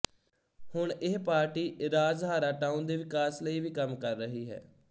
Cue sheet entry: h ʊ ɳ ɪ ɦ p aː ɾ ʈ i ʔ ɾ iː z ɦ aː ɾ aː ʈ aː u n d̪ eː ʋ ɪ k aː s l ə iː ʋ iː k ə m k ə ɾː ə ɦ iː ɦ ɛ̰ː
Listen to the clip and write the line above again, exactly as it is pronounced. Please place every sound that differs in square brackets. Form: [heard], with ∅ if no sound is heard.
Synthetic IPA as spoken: h ʊ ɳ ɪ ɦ p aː ɾ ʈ [iː] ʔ ɾ [aː] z ɦ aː ɾ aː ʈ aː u n d̪ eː ʋ ɪ k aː s l ə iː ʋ iː k ə m k ə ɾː ə ɦ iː ɦ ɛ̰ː